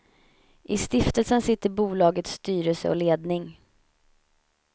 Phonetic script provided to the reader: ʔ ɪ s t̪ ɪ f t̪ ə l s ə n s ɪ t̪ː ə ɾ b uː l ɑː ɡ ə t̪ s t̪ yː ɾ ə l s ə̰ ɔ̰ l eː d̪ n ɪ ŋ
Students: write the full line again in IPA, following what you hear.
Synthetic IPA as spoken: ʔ ɪ s t̪ ɪ f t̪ ə l s ə n s ɪ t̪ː ə ɾ b uː l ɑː ɡ ə t̪ s t̪ yː ɾ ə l s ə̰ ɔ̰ l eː d̪ n ɪ ŋ